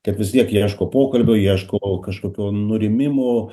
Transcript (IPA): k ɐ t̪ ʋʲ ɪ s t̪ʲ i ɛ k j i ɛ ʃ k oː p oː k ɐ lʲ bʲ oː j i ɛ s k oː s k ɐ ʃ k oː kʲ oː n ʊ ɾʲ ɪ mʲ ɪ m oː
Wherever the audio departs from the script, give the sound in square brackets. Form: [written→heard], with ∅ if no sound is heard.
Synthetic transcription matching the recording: k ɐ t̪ ʋʲ ɪ s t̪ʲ i ɛ k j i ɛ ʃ k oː p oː k ɐ lʲ bʲ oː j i ɛ [s→ʃ] k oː [s→∅] k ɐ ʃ k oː kʲ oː n ʊ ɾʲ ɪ mʲ ɪ m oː

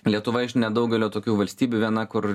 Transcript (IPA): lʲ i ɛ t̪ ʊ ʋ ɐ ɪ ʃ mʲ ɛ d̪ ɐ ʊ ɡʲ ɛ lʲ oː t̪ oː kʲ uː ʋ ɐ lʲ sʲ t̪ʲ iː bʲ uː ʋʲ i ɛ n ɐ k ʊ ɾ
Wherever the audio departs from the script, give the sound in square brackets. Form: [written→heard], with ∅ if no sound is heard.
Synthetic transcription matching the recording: lʲ i ɛ t̪ ʊ ʋ ɐ ɪ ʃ [mʲ→nʲ] ɛ d̪ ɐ ʊ ɡʲ ɛ lʲ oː t̪ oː kʲ uː ʋ ɐ lʲ sʲ t̪ʲ iː bʲ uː ʋʲ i ɛ n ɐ k ʊ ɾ

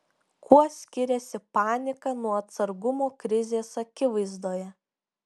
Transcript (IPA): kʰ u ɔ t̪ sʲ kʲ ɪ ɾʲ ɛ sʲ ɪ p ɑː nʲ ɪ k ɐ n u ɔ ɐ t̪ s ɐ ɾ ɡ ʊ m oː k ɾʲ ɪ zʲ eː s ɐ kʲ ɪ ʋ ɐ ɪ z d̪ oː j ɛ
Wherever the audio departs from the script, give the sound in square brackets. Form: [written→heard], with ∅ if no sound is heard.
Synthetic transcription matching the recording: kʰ u ɔ [t̪→∅] sʲ kʲ ɪ ɾʲ ɛ sʲ ɪ p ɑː nʲ ɪ k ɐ n u ɔ ɐ t̪ s ɐ ɾ ɡ ʊ m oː k ɾʲ ɪ zʲ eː s ɐ kʲ ɪ ʋ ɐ ɪ z d̪ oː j ɛ

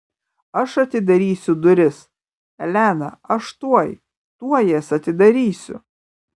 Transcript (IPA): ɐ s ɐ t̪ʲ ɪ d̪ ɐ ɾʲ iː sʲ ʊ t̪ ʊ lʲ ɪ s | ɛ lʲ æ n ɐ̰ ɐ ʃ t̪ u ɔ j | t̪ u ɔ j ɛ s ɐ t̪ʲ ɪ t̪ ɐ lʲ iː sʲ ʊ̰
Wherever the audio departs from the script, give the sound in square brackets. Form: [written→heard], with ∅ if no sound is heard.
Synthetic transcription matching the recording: ɐ [s→ʃ] ɐ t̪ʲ ɪ d̪ ɐ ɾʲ iː sʲ ʊ [t̪→d̪] ʊ [lʲ→ɾʲ] ɪ s | ɛ lʲ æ n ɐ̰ ɐ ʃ t̪ u ɔ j | t̪ u ɔ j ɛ s ɐ t̪ʲ ɪ [t̪→d̪] ɐ [lʲ→ɾʲ] iː sʲ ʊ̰

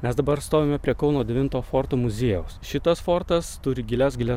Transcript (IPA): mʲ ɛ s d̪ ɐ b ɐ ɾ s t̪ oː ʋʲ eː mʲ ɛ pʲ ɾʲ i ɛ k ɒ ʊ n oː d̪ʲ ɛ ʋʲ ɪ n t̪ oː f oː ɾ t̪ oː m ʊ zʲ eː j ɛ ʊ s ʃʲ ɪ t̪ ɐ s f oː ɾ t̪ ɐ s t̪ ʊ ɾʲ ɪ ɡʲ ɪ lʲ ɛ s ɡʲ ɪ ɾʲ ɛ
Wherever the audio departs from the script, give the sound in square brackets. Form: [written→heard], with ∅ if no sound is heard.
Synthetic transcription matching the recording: mʲ ɛ s d̪ ɐ b ɐ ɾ s t̪ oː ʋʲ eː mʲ ɛ pʲ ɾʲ i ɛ k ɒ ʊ n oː d̪ʲ ɛ ʋʲ ɪ n t̪ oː f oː ɾ t̪ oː m ʊ zʲ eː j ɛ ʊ s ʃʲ ɪ t̪ ɐ s f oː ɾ t̪ ɐ s t̪ ʊ ɾʲ ɪ ɡʲ ɪ lʲ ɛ s ɡʲ ɪ [ɾʲ→lʲ] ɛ

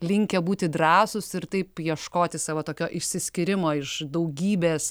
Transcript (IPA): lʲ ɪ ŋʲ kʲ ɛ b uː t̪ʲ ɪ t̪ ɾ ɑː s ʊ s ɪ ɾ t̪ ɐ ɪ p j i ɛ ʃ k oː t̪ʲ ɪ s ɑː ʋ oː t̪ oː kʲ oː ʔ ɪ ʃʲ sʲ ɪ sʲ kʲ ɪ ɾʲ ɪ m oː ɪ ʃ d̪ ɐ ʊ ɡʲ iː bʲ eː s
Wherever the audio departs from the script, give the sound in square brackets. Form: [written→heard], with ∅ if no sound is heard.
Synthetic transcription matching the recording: lʲ ɪ ŋʲ kʲ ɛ b uː t̪ʲ ɪ [t̪→d̪] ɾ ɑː s ʊ s ɪ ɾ t̪ ɐ ɪ p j i ɛ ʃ k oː t̪ʲ ɪ s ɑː ʋ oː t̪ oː kʲ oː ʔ ɪ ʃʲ sʲ ɪ sʲ kʲ ɪ ɾʲ ɪ m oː ɪ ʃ d̪ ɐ ʊ ɡʲ iː bʲ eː s

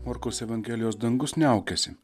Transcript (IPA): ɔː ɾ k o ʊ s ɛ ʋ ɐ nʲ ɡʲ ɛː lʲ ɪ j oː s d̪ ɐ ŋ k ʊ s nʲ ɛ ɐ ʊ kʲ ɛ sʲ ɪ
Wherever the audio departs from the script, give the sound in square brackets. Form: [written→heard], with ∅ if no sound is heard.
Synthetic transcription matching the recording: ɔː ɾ k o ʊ s ɛ ʋ ɐ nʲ ɡʲ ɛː lʲ ɪ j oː s d̪ ɐ ŋ [k→ɡ] ʊ s nʲ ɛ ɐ ʊ kʲ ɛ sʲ ɪ

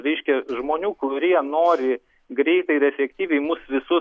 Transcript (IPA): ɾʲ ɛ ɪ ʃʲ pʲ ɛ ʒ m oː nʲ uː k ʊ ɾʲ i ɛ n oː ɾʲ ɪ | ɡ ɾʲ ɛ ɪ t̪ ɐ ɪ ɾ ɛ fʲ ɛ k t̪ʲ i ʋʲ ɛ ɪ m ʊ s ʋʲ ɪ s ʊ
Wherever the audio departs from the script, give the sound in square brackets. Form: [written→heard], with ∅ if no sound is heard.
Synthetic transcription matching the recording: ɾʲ ɛ ɪ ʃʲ [pʲ→kʲ] ɛ ʒ m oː nʲ uː k ʊ ɾʲ i ɛ n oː ɾʲ ɪ | ɡ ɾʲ ɛ ɪ t̪ ɐ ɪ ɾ ɛ fʲ ɛ k t̪ʲ [i→iː] ʋʲ ɛ ɪ m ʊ s ʋʲ ɪ s ʊ

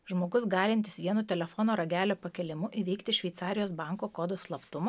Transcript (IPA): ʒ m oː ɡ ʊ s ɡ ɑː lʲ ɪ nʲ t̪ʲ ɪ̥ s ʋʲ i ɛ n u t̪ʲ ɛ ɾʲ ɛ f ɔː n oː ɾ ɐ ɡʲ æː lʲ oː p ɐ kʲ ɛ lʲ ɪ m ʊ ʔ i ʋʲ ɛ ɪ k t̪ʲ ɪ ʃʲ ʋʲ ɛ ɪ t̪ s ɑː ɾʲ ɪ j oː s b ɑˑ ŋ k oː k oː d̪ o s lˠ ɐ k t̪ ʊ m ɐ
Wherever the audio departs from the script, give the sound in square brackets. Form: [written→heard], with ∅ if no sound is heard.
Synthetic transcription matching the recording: ʒ m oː ɡ ʊ s ɡ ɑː lʲ ɪ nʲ t̪ʲ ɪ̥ s ʋʲ i ɛ n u t̪ʲ ɛ [ɾʲ→lʲ] ɛ f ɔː n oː ɾ ɐ ɡʲ æː lʲ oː p ɐ kʲ ɛ lʲ ɪ m ʊ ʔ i ʋʲ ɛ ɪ k t̪ʲ ɪ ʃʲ ʋʲ ɛ ɪ t̪ s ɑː ɾʲ ɪ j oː s b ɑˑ ŋ k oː k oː d̪ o s lˠ ɐ [k→p] t̪ ʊ m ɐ

